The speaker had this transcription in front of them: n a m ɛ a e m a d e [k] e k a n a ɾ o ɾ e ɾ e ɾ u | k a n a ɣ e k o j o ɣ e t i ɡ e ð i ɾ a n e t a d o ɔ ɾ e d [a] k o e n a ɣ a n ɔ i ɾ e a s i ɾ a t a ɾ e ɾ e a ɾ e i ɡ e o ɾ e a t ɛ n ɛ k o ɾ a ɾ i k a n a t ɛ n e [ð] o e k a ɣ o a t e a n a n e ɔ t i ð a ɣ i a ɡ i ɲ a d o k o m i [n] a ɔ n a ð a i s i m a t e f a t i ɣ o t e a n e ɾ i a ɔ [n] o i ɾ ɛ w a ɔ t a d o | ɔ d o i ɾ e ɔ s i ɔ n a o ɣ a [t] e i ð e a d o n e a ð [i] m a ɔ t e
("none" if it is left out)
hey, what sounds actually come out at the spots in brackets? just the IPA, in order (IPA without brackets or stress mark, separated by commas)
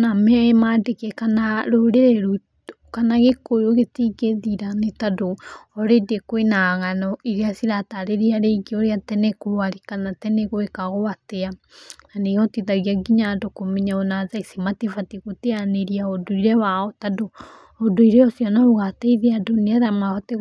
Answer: k, e, ɣ, ɲ, d, t, a